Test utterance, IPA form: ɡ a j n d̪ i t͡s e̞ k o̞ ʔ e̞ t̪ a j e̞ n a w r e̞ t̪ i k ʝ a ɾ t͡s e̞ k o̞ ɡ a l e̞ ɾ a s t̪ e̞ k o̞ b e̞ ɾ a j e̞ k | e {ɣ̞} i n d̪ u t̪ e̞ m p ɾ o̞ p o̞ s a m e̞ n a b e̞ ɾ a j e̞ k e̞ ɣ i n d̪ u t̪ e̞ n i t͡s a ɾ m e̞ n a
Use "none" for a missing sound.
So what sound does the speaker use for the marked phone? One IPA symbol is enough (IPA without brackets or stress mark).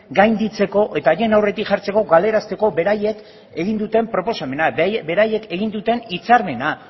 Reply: ɣ̞